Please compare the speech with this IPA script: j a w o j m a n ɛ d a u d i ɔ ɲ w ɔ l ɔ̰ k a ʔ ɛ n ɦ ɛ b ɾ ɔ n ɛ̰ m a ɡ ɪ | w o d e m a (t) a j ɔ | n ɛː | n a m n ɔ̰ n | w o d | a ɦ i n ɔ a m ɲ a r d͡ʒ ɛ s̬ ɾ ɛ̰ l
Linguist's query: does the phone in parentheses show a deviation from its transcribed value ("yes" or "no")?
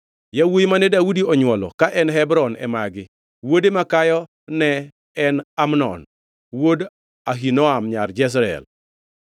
yes